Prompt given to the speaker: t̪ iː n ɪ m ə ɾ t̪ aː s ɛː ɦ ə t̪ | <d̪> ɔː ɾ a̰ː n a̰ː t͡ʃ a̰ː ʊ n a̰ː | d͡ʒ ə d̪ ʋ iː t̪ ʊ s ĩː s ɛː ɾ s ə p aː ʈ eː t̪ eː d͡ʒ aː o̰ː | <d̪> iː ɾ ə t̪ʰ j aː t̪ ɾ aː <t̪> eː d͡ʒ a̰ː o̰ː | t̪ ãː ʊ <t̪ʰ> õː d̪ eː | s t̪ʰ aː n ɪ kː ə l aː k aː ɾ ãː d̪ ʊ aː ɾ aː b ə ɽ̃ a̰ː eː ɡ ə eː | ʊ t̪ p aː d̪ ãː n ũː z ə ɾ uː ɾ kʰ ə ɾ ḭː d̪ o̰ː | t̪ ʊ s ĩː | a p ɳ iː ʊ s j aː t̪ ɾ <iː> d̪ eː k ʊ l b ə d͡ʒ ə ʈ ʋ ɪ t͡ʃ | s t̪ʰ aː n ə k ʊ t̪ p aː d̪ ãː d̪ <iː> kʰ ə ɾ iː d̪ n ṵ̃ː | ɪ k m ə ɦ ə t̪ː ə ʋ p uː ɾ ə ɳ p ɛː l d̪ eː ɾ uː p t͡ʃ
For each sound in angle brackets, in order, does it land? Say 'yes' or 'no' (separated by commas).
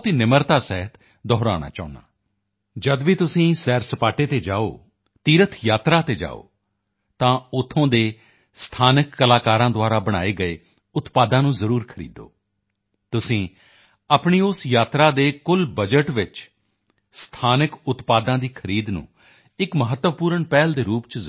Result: yes, no, yes, yes, no, yes